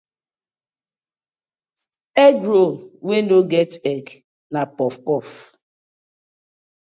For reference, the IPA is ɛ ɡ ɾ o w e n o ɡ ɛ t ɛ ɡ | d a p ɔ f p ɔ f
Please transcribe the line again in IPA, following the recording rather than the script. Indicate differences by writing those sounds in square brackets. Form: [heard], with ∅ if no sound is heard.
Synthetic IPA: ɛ ɡ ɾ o w e n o ɡ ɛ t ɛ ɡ | [n] a p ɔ f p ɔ f